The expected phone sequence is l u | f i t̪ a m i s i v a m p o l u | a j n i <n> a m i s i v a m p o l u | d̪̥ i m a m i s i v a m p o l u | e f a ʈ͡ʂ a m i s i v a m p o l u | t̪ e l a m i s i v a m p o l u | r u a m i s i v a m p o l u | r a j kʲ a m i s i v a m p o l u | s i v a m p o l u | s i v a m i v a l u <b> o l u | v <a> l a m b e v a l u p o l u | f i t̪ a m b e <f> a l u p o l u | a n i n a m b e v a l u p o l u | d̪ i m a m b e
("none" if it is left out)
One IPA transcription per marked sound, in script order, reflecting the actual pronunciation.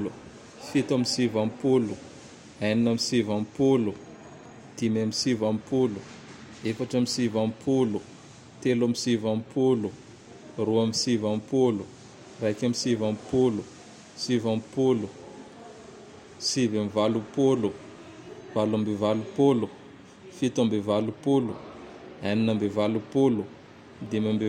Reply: n, p, a, v

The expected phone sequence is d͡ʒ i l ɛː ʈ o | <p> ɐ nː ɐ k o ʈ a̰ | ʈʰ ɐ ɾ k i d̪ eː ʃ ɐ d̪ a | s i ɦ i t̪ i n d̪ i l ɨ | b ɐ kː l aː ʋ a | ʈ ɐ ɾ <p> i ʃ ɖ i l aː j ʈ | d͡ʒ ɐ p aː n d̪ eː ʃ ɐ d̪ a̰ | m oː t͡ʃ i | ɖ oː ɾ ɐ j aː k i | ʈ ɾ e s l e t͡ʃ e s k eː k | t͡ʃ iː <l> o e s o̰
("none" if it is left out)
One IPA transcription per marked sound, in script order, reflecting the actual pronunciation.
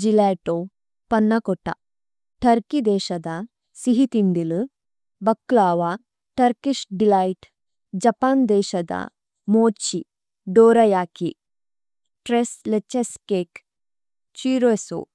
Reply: p, k, ɾ

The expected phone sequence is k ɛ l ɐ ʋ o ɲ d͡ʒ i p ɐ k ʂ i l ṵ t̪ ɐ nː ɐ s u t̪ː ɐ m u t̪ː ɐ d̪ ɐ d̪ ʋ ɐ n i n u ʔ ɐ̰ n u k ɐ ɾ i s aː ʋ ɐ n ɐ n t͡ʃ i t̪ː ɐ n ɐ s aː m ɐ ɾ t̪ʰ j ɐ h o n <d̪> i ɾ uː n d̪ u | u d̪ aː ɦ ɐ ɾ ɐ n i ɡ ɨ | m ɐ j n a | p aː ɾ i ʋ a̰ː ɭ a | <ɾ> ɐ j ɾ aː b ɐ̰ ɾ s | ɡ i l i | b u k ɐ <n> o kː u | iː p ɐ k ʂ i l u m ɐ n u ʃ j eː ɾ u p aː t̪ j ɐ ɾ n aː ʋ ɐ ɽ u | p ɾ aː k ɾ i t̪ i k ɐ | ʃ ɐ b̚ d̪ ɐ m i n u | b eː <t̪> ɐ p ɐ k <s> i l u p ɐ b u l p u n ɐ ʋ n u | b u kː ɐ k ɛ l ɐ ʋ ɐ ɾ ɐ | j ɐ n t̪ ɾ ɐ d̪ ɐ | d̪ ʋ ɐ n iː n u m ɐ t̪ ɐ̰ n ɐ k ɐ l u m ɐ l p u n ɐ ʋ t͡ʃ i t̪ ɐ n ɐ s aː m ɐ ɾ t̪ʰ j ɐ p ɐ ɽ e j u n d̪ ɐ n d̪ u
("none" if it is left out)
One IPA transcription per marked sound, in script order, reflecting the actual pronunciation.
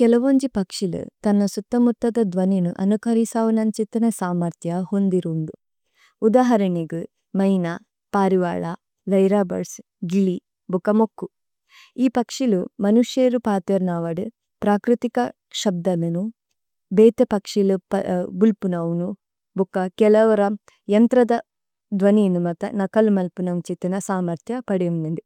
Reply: d̪, l, m, t̪, ʂ

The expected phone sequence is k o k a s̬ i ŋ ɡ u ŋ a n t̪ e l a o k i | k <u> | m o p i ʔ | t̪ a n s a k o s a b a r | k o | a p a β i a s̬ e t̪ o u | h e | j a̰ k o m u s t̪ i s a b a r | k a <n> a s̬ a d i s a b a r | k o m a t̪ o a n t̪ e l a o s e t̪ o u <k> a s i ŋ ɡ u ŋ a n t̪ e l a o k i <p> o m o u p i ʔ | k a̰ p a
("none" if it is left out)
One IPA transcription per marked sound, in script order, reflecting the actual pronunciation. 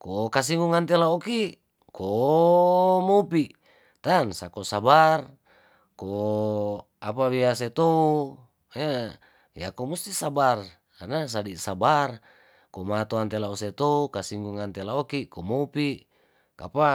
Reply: o, n, k, k

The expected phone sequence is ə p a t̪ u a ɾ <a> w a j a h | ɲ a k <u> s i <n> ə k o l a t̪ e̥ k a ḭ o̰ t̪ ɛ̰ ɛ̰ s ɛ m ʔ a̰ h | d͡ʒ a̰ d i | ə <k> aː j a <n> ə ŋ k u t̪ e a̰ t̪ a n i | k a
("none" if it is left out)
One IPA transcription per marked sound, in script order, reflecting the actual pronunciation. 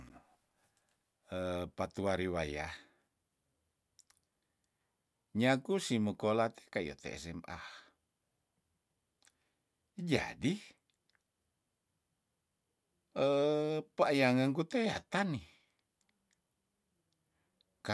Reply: i, u, m, p, ŋ

